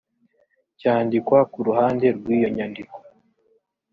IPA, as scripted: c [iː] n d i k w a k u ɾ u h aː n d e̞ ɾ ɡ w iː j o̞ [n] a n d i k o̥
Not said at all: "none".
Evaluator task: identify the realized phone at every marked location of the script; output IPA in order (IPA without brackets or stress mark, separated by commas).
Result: aː, ɲ